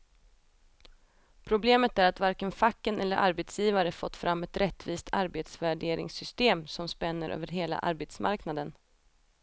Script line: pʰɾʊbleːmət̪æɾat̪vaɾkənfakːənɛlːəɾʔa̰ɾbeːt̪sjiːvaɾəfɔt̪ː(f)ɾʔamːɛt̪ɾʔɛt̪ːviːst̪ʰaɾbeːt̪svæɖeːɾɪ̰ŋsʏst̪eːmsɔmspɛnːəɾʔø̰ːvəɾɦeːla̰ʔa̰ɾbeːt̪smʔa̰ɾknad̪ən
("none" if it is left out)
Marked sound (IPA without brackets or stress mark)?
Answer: f